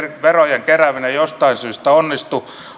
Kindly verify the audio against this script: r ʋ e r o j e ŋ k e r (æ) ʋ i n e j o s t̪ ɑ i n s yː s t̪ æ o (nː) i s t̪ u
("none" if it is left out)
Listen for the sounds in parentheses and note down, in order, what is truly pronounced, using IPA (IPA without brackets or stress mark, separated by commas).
æ, nː